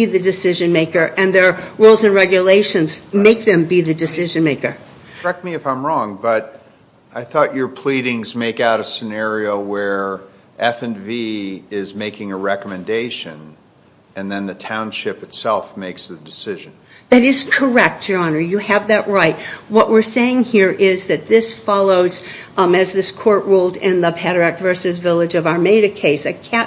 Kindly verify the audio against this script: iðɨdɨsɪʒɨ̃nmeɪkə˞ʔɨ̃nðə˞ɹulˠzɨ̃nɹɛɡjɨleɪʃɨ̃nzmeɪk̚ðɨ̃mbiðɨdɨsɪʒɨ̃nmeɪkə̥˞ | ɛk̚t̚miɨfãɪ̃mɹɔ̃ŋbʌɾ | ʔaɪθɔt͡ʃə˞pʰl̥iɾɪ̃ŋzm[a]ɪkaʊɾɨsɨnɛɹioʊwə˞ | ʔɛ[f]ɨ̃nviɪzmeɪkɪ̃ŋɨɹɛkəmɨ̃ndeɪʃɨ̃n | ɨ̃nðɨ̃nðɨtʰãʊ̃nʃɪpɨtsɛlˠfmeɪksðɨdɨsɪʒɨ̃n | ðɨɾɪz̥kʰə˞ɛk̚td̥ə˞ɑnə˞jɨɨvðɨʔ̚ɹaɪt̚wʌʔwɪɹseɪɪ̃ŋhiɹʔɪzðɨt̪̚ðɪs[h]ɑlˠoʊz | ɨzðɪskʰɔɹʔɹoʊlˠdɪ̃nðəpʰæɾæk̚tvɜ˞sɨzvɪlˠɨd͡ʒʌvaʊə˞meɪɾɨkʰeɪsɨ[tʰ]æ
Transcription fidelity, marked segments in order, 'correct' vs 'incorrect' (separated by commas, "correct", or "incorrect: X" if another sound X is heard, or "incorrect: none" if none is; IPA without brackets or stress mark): incorrect: e, correct, incorrect: f, incorrect: kʰ